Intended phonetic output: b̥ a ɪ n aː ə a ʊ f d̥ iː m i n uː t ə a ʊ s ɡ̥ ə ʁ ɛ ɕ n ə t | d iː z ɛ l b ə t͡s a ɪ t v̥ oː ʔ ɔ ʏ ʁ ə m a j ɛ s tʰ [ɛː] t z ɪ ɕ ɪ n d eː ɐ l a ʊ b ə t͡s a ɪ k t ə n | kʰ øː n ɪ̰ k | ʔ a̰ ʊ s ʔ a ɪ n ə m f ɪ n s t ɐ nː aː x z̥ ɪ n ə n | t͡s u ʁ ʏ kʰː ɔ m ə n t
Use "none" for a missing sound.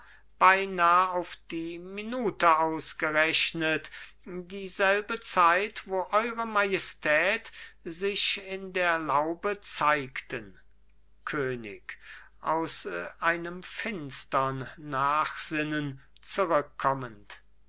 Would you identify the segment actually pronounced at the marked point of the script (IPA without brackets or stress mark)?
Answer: ɛː